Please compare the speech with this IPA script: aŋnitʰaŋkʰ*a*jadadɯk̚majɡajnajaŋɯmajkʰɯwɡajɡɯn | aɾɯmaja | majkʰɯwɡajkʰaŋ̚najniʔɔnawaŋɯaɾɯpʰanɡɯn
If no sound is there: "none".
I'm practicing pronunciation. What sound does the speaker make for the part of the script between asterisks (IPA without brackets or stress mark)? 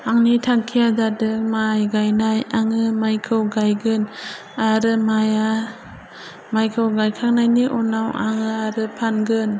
i